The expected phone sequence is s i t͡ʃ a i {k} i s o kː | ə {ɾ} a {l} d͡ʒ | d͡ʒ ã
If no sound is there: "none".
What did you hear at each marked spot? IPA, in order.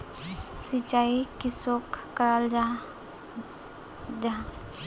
k, ɾ, l

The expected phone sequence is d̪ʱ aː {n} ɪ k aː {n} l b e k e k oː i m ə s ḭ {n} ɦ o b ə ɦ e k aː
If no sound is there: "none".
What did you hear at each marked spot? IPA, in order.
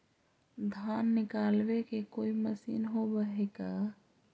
nː, none, n

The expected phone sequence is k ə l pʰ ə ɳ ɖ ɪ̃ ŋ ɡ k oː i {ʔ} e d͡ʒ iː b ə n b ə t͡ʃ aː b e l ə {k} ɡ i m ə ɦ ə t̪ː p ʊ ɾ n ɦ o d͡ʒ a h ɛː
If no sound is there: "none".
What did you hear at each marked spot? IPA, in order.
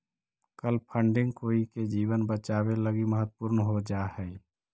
k, none

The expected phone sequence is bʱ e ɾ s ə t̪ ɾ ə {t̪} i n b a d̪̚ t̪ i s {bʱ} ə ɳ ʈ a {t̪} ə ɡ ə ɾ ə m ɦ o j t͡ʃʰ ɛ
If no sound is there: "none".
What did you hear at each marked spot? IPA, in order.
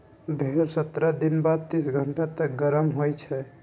d̪, ɡʱ, t̪

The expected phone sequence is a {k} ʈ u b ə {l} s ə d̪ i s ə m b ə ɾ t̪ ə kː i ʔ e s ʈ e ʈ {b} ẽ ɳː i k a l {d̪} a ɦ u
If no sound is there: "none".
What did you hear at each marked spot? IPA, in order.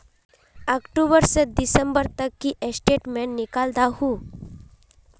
k, ɾ, m, d̪

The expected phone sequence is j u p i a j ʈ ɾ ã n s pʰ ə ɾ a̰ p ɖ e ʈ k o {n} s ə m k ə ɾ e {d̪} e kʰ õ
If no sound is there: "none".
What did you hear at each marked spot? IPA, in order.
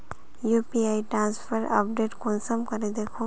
n, d̪

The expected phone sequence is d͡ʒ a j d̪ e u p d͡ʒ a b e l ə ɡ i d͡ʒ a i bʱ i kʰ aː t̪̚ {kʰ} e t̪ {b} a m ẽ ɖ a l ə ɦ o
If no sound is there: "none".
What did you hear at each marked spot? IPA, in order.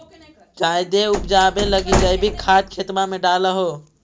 kʰ, m

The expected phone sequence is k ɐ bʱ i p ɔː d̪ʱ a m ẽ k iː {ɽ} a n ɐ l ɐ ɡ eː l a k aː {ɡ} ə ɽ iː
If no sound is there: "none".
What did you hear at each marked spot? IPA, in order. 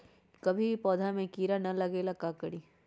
ɾ, k

